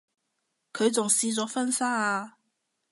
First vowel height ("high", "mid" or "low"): mid